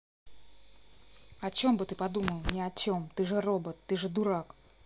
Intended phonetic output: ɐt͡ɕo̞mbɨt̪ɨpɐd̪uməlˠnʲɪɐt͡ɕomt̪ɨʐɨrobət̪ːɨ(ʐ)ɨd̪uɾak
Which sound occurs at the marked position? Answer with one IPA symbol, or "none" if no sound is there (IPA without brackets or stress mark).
ʐ